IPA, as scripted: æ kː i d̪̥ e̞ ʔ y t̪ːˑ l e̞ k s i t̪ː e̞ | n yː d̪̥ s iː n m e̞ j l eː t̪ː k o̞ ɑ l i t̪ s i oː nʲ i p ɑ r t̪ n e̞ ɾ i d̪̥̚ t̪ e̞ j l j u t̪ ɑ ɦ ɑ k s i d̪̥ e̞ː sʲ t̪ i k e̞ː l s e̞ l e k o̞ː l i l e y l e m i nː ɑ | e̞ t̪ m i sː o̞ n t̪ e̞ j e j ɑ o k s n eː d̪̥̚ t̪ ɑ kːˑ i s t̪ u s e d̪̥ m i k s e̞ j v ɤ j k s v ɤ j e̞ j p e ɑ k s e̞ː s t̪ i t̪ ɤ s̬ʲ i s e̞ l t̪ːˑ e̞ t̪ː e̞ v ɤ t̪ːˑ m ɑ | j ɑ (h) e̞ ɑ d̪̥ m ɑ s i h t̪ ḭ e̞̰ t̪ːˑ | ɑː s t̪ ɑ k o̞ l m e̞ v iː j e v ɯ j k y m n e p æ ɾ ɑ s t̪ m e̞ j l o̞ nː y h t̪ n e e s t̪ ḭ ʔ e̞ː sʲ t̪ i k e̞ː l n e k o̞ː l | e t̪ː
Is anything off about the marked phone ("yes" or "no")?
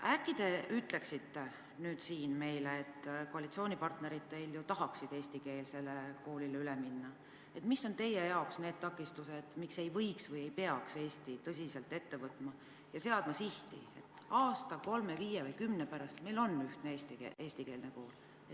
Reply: yes